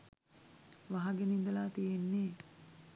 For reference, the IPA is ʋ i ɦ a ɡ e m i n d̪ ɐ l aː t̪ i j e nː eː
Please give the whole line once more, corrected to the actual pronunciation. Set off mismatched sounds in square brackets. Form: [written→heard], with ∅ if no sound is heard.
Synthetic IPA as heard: ʋ [i→a] ɦ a ɡ e [m→n] i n d̪ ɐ l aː t̪ i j e nː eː